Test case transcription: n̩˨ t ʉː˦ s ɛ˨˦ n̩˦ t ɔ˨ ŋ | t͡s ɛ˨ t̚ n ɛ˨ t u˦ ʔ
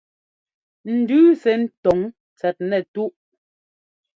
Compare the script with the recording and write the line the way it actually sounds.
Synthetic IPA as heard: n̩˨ d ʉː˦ s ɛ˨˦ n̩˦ t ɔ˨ ŋ | t͡s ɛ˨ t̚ n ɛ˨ t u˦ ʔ